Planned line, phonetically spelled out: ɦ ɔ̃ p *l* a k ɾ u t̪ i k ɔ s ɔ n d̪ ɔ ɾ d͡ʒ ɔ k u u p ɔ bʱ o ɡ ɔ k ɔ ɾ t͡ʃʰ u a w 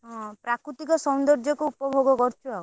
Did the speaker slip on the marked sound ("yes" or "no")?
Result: yes